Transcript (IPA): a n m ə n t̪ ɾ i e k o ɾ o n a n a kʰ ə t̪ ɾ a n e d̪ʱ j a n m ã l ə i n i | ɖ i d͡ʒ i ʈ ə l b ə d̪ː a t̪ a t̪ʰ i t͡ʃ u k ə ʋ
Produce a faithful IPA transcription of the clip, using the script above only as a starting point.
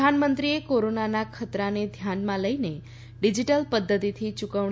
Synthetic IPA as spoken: a n m ə n t̪ ɾ i e k o ɾ o n a n a kʰ ə t̪ ɾ a n e d̪ʱ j a n m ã l ə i n e | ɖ i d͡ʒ i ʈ ə l p ə d̪ː ə t̪ i t̪ʰ i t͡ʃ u k ə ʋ

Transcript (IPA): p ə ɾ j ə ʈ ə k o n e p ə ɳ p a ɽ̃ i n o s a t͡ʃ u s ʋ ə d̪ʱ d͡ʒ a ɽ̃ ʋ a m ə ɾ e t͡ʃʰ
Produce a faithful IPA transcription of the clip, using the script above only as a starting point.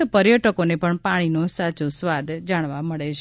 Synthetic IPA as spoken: p ə ɾ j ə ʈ ə k o n e p ə ɳ p a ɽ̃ i n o s a t͡ʃ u s ʋ a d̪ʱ d͡ʒ a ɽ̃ ʋ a m ə ɭ e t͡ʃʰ

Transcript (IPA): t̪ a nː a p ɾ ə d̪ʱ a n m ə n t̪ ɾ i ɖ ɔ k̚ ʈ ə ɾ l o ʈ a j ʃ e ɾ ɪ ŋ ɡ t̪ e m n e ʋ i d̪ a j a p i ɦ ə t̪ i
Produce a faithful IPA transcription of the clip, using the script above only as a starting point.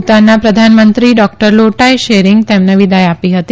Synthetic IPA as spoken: t̪ a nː a p ɾ ə d̪ʱ a n m ə n t̪ ɾ i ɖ ɔ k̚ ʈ ə ɾ l o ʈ a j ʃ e ɾ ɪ ŋ ɡ t̪ e m n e ʋ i d̪ a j a p i ɦ ə t̪ i

